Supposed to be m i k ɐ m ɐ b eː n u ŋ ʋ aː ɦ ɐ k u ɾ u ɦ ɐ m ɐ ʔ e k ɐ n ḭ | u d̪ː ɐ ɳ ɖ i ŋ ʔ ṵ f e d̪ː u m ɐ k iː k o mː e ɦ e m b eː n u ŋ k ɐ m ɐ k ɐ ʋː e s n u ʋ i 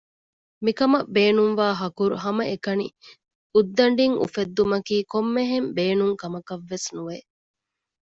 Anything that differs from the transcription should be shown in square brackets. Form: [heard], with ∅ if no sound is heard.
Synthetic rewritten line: m i k ɐ m ɐ b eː n u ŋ ʋ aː ɦ ɐ k u ɾ u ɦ ɐ m ɐ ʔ e k ɐ n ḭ | u d̪ː ɐ ɳ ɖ i ŋ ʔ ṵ f e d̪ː u m ɐ k iː k o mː e ɦ e m b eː n u ŋ k ɐ m ɐ k ɐ ʋː e s n u ʋ [e]

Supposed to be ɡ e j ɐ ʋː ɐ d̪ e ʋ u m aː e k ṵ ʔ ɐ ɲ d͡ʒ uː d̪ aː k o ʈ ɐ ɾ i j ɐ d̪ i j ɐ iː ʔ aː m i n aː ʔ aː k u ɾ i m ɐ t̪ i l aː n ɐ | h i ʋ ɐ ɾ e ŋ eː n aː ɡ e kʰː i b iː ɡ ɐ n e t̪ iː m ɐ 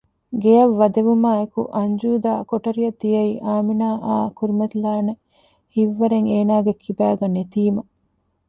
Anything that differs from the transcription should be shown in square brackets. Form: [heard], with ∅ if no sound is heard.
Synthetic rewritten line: ɡ e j ɐ ʋː ɐ d̪ e ʋ u m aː e k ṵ ʔ ɐ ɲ d͡ʒ uː d̪ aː k o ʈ ɐ ɾ i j ɐ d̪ i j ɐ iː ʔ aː m i n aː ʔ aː k u ɾ i m ɐ t̪ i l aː n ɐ | h i [ʋː] ɐ ɾ e ŋ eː n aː ɡ e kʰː i b [æː] ɡ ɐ n e t̪ iː m ɐ

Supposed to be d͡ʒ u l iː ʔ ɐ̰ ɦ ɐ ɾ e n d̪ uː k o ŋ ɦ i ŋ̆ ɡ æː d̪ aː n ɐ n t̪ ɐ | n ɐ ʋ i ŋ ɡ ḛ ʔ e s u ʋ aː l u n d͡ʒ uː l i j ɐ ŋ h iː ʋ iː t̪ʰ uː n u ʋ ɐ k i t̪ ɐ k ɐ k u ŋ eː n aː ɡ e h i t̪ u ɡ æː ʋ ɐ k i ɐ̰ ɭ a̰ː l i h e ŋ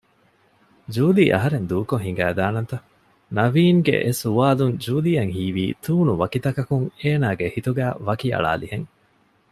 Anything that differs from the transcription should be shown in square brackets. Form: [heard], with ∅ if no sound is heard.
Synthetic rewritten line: d͡ʒ [uː] l iː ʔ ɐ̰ ɦ ɐ ɾ e n d̪ uː k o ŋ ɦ i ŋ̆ ɡ æː d̪ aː n ɐ n t̪ ɐ | n ɐ ʋ [iː] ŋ ɡ ḛ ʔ e s u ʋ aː l u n d͡ʒ uː l i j ɐ ŋ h iː ʋ iː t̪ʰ uː n u ʋ ɐ k i t̪ ɐ k ɐ k u ŋ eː n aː ɡ e h i t̪ u ɡ æː ʋ ɐ k i ɐ̰ ɭ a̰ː l i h e ŋ

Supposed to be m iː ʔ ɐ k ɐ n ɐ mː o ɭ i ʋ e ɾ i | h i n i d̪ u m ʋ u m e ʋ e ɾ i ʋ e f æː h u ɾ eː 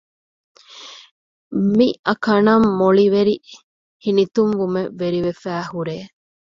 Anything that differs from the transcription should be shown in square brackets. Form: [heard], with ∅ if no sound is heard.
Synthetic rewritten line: m [i] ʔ ɐ k ɐ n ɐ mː o ɭ i ʋ e ɾ i | h i n i [t̪] u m ʋ u m e ʋ e ɾ i ʋ e f æː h u ɾ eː

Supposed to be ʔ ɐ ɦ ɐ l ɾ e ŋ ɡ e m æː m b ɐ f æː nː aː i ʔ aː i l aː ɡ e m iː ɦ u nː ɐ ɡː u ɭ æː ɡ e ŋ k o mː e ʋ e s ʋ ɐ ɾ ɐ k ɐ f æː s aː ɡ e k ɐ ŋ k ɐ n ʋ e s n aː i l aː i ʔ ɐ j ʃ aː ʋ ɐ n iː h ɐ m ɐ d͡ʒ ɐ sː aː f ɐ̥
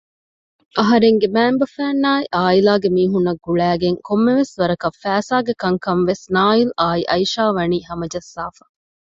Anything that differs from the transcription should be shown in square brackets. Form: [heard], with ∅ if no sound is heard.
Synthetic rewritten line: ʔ ɐ ɦ ɐ [∅] ɾ e ŋ ɡ e m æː m b ɐ f æː nː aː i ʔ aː i l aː ɡ e m iː ɦ u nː ɐ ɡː u ɭ æː ɡ e ŋ k o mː e ʋ e s ʋ ɐ ɾ ɐ k ɐ f æː s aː ɡ e k ɐ ŋ k ɐ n ʋ e s n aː i l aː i ʔ ɐ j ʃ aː ʋ ɐ n iː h ɐ m ɐ d͡ʒ ɐ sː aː f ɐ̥

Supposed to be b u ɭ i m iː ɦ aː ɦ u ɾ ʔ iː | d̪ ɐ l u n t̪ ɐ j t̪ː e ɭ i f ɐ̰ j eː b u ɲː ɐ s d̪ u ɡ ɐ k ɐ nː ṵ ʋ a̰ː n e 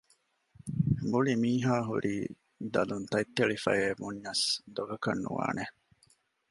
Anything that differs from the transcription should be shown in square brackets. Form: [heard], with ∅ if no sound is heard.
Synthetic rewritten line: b u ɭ i m iː ɦ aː ɦ u ɾ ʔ iː | d̪ ɐ l u n t̪ ɐ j t̪ː e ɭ i f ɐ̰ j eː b u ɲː ɐ s d̪ [o] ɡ ɐ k ɐ nː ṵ ʋ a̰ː n e

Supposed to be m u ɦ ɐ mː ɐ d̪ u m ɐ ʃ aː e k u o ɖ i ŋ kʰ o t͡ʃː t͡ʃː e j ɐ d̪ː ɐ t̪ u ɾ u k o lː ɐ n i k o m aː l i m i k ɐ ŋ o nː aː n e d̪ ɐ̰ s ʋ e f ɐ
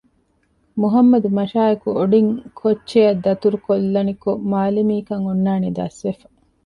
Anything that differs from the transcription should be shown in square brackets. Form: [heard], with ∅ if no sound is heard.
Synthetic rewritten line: m u ɦ ɐ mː ɐ d̪ u m ɐ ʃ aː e k u o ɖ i ŋ kʰ o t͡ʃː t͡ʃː e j ɐ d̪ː ɐ t̪ u ɾ u k o lː ɐ n i k o m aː l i m [iː] k ɐ ŋ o nː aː n e d̪ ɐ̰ s ʋ e f ɐ

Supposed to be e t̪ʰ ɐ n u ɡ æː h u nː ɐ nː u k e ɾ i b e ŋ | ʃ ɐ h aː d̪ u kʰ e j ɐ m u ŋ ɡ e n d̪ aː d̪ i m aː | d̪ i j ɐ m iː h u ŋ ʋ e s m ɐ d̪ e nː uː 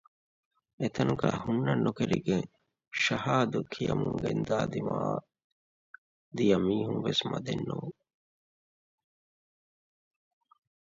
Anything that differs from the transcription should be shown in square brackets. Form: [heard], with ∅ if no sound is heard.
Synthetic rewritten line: e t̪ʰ ɐ n u ɡ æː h u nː ɐ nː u k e ɾ i [ɡ] e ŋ | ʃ ɐ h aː d̪ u kʰ [i] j ɐ m u ŋ ɡ e n d̪ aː d̪ i m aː | d̪ i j ɐ m iː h u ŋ ʋ e s m ɐ d̪ e nː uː

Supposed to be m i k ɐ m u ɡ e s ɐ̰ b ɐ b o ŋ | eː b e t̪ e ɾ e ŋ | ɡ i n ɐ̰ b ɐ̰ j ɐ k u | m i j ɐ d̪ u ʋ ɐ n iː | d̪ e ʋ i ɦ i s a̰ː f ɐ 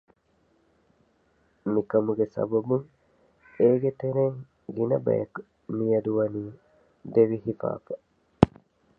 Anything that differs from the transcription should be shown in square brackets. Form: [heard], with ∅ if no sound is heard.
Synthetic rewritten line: m i k ɐ m u ɡ e s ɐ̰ b ɐ b [u] ŋ | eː [ɡ] e t̪ e ɾ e ŋ | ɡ i n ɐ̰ b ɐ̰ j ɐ k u | m i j ɐ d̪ u ʋ ɐ n iː | d̪ e ʋ i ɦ i [f] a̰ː f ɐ

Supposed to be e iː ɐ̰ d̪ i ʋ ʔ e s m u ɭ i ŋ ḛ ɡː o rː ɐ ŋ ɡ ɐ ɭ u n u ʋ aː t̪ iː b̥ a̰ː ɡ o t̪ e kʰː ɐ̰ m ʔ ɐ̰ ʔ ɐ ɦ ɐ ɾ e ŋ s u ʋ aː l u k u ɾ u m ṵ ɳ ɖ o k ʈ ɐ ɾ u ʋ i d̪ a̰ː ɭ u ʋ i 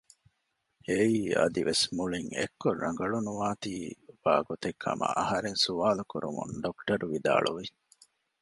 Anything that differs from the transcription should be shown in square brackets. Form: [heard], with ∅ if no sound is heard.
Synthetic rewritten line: e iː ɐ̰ d̪ i ʋ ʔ e s m u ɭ i ŋ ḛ [kː] o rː ɐ ŋ ɡ ɐ ɭ u n u ʋ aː t̪ iː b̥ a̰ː ɡ o t̪ e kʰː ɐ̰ m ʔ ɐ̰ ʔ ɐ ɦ ɐ ɾ e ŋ s u ʋ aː l u k u ɾ u m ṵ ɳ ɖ o k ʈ ɐ ɾ u ʋ i d̪ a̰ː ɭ u ʋ i

